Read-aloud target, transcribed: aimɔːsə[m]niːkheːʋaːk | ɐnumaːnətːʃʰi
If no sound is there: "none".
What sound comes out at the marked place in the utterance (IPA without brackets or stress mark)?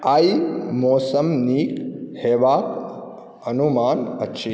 m